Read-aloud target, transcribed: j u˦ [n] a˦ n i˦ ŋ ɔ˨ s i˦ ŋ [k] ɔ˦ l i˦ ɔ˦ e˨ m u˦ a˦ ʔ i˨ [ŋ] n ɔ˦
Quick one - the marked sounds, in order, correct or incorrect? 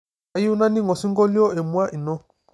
correct, incorrect: ɡ, incorrect: none

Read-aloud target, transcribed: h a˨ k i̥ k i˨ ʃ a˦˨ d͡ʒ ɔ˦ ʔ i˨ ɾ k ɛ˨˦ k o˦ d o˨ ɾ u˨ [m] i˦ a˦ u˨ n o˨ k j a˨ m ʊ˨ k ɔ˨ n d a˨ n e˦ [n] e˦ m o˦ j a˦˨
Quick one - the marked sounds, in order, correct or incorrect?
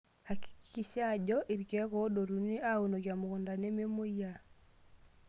incorrect: n, incorrect: m

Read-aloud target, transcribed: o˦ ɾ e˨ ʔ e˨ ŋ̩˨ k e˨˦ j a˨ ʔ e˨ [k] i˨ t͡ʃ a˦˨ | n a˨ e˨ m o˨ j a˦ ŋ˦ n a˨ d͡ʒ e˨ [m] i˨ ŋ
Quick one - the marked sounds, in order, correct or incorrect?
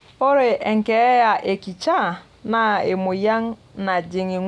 correct, incorrect: ŋ

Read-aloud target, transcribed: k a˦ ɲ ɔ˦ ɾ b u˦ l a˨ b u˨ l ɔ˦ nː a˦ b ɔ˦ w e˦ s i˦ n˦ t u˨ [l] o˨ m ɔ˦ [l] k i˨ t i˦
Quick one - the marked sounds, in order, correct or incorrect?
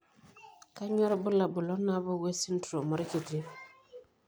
incorrect: ɾ, incorrect: ɾ

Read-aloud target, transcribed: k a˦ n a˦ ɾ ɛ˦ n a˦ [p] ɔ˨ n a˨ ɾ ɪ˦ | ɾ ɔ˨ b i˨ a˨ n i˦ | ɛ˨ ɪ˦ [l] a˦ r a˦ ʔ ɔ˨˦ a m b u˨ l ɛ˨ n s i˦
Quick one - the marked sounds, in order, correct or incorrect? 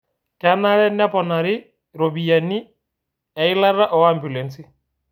correct, correct

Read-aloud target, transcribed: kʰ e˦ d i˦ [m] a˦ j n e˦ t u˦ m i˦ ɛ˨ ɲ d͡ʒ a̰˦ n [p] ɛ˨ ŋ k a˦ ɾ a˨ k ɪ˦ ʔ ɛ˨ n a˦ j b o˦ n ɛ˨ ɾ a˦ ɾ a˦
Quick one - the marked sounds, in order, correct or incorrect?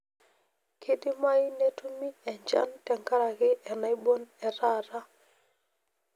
correct, incorrect: t

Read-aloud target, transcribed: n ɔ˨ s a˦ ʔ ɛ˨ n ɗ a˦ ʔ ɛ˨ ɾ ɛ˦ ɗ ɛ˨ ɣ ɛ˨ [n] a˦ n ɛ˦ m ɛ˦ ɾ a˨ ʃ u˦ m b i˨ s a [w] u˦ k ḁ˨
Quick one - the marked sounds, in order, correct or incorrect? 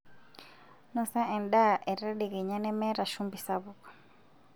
incorrect: ɲ, incorrect: β

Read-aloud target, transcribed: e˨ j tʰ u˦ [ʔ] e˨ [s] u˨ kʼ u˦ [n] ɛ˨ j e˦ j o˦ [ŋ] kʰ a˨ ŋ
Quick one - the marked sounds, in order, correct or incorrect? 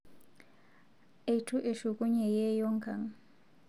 correct, incorrect: ʃ, incorrect: ɲ, correct

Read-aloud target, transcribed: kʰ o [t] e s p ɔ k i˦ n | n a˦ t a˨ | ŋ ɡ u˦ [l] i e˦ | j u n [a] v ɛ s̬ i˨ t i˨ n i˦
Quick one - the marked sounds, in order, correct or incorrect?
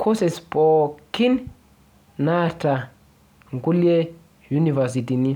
incorrect: s, correct, incorrect: i

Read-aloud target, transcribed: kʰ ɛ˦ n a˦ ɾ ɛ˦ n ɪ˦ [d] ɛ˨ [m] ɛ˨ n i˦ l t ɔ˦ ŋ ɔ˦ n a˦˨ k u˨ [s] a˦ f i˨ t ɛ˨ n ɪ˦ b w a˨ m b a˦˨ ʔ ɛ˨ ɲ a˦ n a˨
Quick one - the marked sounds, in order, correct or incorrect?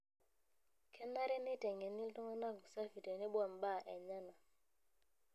incorrect: t, incorrect: ŋ, correct

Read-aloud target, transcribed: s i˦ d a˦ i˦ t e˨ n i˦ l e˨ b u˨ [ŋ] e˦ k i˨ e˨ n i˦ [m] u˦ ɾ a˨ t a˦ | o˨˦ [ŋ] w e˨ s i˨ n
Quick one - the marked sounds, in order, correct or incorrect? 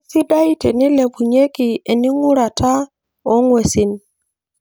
incorrect: ɲ, incorrect: ŋ, correct

